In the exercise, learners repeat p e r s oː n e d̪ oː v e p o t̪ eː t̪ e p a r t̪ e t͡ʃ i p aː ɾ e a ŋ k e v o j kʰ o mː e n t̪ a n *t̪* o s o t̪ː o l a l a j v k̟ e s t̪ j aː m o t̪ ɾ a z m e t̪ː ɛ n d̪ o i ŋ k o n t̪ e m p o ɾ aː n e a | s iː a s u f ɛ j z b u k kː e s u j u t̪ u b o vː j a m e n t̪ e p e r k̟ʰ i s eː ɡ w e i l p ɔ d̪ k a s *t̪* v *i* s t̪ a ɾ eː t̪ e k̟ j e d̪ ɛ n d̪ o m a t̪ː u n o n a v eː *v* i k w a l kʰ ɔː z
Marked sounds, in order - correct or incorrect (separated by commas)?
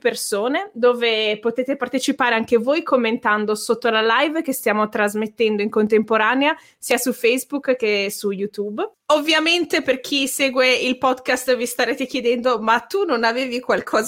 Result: incorrect, correct, correct, correct